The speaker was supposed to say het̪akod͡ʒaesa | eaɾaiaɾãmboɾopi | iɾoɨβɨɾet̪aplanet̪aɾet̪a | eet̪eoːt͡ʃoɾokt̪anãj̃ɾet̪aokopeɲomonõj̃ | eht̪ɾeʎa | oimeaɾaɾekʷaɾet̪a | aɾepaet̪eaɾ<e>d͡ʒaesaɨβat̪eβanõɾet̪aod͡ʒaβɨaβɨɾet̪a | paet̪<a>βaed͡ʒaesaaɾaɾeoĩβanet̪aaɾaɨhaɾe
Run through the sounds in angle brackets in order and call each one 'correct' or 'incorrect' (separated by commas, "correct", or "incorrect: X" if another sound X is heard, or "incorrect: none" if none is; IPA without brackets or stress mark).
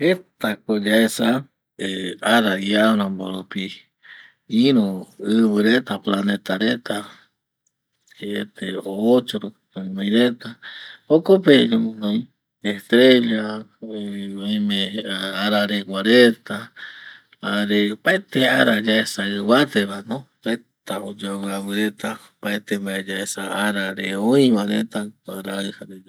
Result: incorrect: a, incorrect: e